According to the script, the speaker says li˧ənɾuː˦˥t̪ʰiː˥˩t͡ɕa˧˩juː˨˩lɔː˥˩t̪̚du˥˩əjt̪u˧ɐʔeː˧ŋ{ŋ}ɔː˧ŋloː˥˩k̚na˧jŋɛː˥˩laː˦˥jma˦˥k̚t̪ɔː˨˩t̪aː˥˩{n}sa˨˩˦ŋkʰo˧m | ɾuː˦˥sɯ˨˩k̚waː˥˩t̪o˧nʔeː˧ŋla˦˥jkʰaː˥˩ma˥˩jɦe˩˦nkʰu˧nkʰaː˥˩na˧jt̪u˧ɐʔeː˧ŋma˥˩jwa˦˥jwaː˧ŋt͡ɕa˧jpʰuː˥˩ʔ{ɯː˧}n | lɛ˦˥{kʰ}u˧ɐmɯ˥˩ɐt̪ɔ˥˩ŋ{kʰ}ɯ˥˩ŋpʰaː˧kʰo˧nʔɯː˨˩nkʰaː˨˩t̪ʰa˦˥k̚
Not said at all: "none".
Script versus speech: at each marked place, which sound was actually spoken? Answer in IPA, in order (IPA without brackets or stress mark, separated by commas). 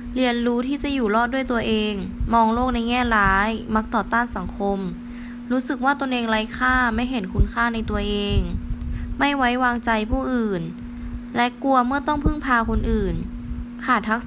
m, n, ɯː˨˩, k, pʰ